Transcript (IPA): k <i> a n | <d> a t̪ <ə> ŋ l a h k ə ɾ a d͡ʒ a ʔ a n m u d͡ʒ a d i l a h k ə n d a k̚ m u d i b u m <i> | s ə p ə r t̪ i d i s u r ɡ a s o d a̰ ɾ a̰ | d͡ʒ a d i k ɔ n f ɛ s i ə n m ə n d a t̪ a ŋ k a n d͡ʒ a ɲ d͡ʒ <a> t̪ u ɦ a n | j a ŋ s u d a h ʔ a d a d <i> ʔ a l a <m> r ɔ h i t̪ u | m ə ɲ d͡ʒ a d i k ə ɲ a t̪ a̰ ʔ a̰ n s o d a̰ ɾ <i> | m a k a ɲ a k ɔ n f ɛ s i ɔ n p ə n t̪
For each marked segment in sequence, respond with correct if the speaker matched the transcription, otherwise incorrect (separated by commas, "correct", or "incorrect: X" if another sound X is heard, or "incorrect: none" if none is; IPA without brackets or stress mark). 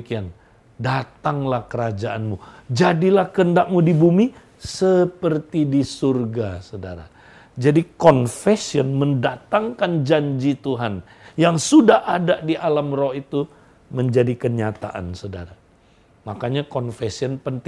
correct, correct, incorrect: a, correct, incorrect: i, correct, correct, incorrect: a